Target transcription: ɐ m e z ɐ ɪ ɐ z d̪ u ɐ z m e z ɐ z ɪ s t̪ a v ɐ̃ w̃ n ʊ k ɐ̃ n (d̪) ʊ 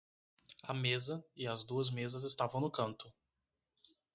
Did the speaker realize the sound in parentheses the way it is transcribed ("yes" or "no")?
no